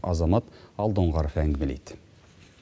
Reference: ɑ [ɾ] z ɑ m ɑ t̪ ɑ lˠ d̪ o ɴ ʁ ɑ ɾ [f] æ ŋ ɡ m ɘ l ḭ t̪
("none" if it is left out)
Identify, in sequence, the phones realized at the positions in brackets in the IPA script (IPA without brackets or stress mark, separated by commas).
none, f